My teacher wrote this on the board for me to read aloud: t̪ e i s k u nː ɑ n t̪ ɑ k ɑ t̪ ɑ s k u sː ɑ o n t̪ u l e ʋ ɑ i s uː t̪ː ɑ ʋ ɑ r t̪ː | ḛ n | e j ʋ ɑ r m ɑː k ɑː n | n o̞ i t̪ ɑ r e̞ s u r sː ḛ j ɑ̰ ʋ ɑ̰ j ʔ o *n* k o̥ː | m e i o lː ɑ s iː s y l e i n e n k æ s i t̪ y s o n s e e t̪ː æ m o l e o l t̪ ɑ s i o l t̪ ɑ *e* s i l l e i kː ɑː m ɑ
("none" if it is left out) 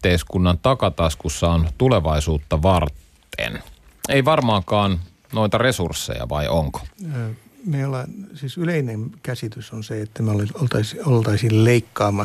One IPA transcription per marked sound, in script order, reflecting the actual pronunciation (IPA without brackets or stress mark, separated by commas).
ŋ, i